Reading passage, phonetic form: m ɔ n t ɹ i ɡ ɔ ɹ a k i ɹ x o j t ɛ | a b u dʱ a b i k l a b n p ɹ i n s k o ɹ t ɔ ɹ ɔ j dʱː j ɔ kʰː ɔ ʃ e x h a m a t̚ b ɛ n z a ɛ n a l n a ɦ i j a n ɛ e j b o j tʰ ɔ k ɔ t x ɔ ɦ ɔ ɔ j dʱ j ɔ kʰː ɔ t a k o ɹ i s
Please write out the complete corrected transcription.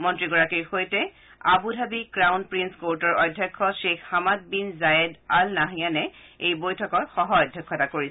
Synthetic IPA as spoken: m ɔ n t ɹ i ɡ ɔ ɹ a k i ɹ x o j t ɛ | a b u dʱ a b i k ɹ a w n p ɹ i n s k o ɹ t ɔ ɹ ɔ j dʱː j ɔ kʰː ɔ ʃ e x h a m a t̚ b i n z a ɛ d a l n a ɦ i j a n ɛ e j b o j tʰ ɔ k ɔ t x ɔ ɦ ɔ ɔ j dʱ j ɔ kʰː ɔ t a k o ɹ i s